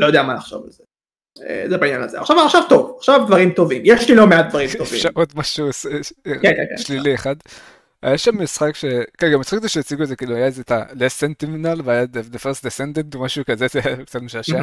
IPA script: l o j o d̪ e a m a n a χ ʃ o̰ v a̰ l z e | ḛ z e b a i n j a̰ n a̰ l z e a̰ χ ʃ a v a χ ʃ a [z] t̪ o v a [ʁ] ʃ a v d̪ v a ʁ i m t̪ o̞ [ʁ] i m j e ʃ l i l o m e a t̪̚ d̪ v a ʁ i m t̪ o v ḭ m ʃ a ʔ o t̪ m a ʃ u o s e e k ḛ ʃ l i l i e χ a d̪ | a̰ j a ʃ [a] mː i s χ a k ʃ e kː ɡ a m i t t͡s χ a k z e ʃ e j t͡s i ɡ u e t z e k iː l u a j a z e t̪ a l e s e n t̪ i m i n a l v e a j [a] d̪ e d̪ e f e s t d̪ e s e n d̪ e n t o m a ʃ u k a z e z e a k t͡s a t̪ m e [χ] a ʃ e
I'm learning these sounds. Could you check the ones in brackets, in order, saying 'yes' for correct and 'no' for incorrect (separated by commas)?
no, no, no, yes, yes, no